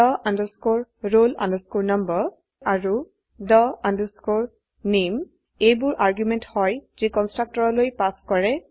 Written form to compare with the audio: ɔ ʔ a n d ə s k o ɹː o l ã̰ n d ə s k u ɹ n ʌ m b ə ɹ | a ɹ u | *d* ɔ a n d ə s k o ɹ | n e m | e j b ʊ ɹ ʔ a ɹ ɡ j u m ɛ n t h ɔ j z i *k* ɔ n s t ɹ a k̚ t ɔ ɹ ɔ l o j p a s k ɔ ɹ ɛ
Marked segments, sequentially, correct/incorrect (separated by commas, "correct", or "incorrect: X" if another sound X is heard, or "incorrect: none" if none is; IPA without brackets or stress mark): correct, correct